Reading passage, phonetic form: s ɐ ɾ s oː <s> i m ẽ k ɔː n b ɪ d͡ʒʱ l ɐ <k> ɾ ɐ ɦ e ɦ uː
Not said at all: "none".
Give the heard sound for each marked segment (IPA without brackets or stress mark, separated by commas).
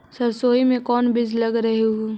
none, ɡ